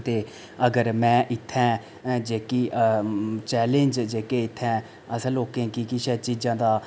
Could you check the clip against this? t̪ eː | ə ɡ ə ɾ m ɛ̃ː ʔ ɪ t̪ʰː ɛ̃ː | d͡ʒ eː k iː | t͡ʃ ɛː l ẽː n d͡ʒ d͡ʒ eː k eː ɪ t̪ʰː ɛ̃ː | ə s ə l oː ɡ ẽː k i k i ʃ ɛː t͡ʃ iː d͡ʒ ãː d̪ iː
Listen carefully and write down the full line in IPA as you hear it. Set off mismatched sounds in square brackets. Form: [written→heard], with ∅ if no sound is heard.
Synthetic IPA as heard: t̪ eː | ə ɡ ə ɾ m ɛ̃ː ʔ ɪ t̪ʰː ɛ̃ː | d͡ʒ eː k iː | t͡ʃ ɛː l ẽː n d͡ʒ d͡ʒ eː k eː ɪ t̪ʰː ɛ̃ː | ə s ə l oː [ɡ→k] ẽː k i k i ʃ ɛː t͡ʃ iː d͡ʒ ãː d̪ [iː→aː]